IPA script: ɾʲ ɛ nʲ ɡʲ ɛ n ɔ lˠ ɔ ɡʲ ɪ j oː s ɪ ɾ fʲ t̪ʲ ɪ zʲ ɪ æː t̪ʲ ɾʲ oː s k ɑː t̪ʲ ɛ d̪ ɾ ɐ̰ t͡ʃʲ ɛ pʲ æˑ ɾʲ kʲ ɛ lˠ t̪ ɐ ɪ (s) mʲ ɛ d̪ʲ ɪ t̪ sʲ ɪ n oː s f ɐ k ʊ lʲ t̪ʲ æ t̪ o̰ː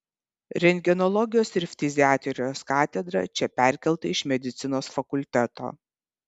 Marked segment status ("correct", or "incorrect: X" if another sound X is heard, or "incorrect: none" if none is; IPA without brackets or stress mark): incorrect: ʃ